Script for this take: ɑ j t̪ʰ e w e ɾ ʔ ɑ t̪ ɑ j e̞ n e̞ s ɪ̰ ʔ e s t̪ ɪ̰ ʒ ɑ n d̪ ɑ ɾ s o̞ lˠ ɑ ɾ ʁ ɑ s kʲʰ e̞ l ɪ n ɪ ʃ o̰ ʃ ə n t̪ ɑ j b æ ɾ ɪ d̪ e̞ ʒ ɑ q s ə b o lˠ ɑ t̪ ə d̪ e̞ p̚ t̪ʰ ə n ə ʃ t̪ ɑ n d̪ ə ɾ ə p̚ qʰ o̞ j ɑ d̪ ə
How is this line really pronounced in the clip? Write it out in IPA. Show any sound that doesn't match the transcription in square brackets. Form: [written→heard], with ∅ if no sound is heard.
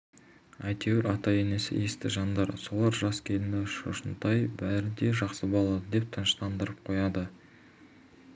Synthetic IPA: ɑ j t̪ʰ e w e ɾ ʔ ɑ t̪ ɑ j e̞ n e̞ s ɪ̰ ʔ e s t̪ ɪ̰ ʒ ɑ n d̪ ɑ ɾ s o̞ lˠ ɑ ɾ [ʁ→ʒ] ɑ s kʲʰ e̞ l ɪ n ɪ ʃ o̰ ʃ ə n t̪ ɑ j b æ ɾ ɪ d̪ e̞ ʒ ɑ q s ə b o lˠ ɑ [t̪→d̪] ə d̪ e̞ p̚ t̪ʰ ə n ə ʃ t̪ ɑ n d̪ ə ɾ ə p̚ qʰ o̞ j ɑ d̪ ə